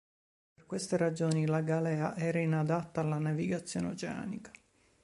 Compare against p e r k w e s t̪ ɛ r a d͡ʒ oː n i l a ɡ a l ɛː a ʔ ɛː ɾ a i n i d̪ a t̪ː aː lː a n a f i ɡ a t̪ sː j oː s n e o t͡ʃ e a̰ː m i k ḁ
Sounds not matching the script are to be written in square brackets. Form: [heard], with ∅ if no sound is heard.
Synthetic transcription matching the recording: p e r k w e s t̪ [e] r a d͡ʒ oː n i l a ɡ a l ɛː a ʔ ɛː ɾ a i n [a] d̪ a t̪ː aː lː a n a [v] i ɡ a t̪ sː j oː [∅] n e o t͡ʃ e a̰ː [n] i k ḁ